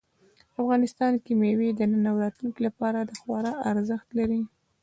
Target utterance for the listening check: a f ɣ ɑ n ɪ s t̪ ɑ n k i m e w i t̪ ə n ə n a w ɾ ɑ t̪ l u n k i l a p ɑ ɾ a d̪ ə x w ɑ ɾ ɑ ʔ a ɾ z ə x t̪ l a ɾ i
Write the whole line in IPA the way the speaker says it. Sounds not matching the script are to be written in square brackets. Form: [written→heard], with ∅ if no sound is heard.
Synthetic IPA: a f ɣ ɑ n ɪ s t̪ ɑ n k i m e w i [t̪→d̪] ə n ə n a w ɾ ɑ t̪ l u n k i l a p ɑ ɾ a d̪ ə x w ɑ ɾ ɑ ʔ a ɾ z ə x t̪ l a ɾ i